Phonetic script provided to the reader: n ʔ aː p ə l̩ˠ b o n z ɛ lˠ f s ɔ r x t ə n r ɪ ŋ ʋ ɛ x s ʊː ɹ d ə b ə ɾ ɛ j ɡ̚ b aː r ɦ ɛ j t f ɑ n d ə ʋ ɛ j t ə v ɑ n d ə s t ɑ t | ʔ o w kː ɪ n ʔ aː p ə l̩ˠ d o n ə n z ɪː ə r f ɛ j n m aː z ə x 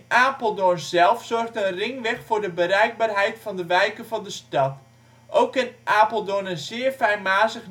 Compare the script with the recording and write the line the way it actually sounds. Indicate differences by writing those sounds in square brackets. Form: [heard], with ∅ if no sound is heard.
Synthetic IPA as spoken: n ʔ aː p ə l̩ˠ [d] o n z ɛ lˠ f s ɔ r x t ə n r ɪ ŋ ʋ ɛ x [f] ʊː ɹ d ə b ə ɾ ɛ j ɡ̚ b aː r ɦ ɛ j t f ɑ n d ə ʋ ɛ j [k] ə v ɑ n d ə s t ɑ t | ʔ o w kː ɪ n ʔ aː p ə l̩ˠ d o n ə n z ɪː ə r f ɛ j n m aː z ə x